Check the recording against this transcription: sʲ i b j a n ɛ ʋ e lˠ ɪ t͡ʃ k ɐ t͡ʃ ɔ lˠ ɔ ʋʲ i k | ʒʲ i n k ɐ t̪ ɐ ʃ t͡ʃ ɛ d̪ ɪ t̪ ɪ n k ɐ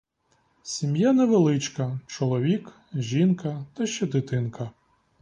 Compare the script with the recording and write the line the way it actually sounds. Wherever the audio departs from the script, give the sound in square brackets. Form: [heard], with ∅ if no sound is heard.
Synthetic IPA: sʲ i [m] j a n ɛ ʋ e lˠ ɪ t͡ʃ k ɐ t͡ʃ ɔ lˠ ɔ ʋʲ i k | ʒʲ i n k ɐ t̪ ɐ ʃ t͡ʃ ɛ d̪ ɪ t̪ ɪ n k ɐ

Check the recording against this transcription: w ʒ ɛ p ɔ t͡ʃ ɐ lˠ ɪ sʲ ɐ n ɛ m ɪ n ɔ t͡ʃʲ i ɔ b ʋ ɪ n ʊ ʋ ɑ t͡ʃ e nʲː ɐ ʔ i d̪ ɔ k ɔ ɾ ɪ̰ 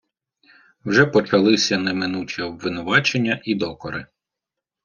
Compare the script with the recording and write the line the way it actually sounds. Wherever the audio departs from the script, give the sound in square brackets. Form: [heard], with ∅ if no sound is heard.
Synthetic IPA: w ʒ ɛ p ɔ t͡ʃ ɐ lˠ ɪ sʲ ɐ n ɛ m ɪ n [u] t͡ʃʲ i ɔ b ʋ ɪ n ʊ ʋ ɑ t͡ʃ e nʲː ɐ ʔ i d̪ ɔ k ɔ ɾ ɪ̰

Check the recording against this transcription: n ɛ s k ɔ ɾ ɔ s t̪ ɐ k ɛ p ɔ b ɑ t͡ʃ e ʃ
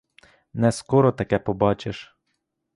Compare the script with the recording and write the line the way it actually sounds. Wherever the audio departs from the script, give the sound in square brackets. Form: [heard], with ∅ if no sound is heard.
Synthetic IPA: n ɛ s k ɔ ɾ ɔ [∅] t̪ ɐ k ɛ p ɔ b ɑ t͡ʃ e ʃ

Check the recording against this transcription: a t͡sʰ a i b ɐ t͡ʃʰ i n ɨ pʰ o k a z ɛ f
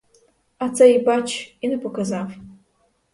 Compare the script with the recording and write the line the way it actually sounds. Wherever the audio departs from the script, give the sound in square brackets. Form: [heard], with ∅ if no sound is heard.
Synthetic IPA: a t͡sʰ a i b [a] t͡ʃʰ i n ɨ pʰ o k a z [a] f

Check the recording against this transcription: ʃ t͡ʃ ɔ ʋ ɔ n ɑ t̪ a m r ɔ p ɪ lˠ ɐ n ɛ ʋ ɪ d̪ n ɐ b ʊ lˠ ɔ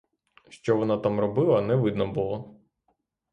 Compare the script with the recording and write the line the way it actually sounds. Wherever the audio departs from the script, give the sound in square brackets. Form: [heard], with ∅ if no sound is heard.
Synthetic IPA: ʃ t͡ʃ ɔ ʋ ɔ n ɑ t̪ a m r ɔ [b] ɪ lˠ ɐ n ɛ ʋ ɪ d̪ n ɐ b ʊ lˠ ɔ

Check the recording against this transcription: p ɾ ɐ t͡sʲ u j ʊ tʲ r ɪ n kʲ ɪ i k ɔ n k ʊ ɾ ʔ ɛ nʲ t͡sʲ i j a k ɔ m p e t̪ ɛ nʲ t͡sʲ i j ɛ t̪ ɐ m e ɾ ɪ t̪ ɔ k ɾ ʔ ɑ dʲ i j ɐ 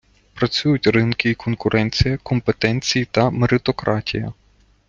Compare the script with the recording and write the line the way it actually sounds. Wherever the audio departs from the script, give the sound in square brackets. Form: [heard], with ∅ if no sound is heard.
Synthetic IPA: p ɾ ɐ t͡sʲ u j ʊ tʲ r ɪ n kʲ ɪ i k ɔ n k ʊ ɾ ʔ ɛ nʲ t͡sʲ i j [ɐ] k ɔ m p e t̪ ɛ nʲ t͡sʲ i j [i] t̪ ɐ m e ɾ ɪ t̪ ɔ k ɾ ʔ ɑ [tʲ] i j ɐ

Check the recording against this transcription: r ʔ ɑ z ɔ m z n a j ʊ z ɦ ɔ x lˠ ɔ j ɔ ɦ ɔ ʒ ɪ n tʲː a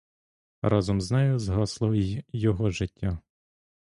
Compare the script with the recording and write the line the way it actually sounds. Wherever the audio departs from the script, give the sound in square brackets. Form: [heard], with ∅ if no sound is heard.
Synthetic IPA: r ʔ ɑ z ɔ m z n [ɛ] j ʊ z ɦ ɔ [s] lˠ ɔ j ɔ ɦ ɔ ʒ ɪ [∅] tʲː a

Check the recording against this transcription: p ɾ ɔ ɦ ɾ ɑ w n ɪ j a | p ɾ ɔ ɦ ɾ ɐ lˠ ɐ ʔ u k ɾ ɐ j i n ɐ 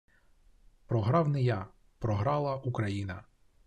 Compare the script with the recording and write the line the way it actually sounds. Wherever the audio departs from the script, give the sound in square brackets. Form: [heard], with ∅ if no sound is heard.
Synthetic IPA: p ɾ ɔ ɦ ɾ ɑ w n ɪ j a | p ɾ ɔ ɦ ɾ [ɑ] lˠ ɐ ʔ u k ɾ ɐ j i n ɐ

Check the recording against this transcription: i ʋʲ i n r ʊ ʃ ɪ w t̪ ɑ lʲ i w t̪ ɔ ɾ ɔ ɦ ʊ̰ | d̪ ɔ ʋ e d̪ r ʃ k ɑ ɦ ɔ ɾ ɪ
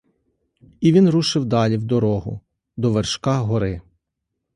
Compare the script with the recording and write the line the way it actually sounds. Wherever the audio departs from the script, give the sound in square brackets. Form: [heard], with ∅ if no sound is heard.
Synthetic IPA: i ʋʲ i n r [u] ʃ ɪ w [d̪] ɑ lʲ i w [d̪] ɔ ɾ ɔ ɦ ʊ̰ | d̪ ɔ ʋ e [∅] r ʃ k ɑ ɦ ɔ ɾ ɪ

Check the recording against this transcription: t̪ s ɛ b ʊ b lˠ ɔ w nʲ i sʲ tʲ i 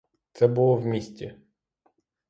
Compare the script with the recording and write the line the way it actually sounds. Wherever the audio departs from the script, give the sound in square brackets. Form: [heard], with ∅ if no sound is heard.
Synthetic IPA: t̪ s ɛ b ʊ [∅] lˠ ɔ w [mʲ] i sʲ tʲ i

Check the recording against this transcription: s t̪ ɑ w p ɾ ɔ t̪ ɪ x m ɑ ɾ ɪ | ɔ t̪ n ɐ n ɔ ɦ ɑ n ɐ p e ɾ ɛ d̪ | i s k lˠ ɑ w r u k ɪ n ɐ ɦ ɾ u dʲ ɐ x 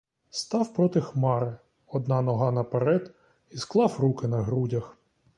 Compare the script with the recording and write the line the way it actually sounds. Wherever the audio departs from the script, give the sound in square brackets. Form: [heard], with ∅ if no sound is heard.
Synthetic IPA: s t̪ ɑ w p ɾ ɔ t̪ ɪ x m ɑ ɾ ɪ | ɔ [d̪] n [ɑ] n ɔ ɦ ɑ n ɐ p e ɾ ɛ d̪ | i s k lˠ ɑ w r u k ɪ n ɐ ɦ ɾ u dʲ ɐ x

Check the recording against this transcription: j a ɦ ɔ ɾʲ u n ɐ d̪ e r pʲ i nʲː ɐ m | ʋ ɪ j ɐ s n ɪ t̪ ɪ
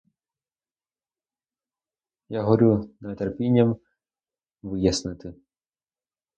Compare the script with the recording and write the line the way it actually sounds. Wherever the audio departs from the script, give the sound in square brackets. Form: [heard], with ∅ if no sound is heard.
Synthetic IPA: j a ɦ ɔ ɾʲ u n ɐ [t̪] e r pʲ i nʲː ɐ m | ʋ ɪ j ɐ s n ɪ t̪ ɪ

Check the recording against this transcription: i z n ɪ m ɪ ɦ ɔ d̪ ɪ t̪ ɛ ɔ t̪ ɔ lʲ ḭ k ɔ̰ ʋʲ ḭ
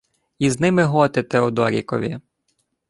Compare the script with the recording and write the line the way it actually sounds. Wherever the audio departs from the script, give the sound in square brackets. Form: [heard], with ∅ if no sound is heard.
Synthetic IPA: i z n ɪ m ɪ ɦ ɔ [t̪] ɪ t̪ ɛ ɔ [d̪] ɔ [ɾʲ] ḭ k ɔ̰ ʋʲ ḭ

